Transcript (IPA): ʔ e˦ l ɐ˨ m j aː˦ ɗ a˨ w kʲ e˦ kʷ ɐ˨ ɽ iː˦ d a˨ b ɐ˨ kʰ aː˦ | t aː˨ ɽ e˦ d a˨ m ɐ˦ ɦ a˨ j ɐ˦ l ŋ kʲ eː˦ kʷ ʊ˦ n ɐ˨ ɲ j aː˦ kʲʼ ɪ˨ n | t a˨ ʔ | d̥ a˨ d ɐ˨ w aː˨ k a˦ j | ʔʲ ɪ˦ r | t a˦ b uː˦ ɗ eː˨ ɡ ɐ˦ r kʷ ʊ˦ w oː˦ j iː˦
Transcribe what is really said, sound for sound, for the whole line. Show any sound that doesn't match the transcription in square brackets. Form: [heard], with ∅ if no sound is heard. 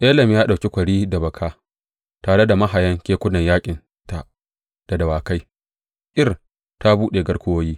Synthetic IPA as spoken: ʔ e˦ l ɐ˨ m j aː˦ ɗ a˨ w kʲ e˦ kʷ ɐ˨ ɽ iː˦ d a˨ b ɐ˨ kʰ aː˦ | t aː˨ ɽ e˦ d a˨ m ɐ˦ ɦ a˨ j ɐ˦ [∅] ŋ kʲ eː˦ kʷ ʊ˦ n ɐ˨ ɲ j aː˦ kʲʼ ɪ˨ n | t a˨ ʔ | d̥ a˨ d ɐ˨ w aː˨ k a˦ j | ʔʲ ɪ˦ r | t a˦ b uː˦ ɗ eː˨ ɡ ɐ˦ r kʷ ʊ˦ w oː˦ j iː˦